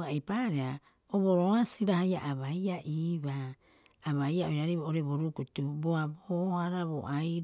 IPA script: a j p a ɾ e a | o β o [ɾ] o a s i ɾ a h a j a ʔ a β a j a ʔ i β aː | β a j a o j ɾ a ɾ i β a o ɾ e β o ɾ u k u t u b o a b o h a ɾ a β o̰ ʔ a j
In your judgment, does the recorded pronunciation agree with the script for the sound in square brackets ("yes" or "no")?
yes